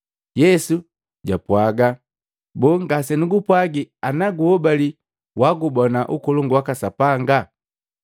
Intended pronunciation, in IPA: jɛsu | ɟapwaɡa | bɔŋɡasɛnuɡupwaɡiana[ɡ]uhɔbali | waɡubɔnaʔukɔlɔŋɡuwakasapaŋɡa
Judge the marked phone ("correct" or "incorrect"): correct